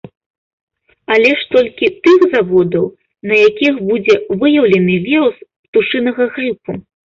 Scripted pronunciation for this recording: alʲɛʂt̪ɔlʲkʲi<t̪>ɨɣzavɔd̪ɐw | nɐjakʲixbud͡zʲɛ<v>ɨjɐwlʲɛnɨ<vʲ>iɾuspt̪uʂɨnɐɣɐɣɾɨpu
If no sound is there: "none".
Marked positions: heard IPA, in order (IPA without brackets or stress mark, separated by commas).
t̪, v, vʲ